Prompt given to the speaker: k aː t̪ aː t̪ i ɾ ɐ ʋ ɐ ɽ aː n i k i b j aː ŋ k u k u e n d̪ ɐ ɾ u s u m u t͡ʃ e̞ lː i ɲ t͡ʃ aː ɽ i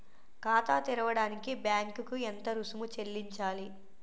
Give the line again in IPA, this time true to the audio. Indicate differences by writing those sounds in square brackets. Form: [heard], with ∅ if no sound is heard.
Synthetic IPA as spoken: k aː t̪ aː t̪ i ɾ ɐ ʋ ɐ ɽ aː n i k i b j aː ŋ k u k u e n [t̪] ɐ ɾ u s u m u t͡ʃ e̞ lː i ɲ t͡ʃ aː [l] i